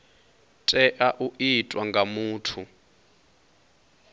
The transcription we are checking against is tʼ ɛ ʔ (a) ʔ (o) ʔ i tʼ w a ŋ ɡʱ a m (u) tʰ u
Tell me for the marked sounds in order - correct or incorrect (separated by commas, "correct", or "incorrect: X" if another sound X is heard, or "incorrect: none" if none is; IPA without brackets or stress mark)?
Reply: correct, incorrect: u, incorrect: uː